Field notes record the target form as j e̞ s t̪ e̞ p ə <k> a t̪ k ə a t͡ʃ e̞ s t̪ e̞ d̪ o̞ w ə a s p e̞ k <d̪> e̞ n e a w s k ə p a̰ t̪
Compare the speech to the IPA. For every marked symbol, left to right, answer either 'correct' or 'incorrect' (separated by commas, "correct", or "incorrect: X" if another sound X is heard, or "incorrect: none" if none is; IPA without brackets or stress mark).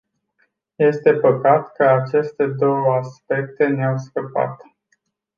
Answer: correct, incorrect: t̪